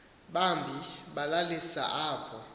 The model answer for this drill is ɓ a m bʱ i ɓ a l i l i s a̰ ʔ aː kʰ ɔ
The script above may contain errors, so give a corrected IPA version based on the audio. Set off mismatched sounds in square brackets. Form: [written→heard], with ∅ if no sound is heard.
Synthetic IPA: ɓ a m bʱ i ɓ a l [i→a] l i s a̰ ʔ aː [kʰ→pʰ] ɔ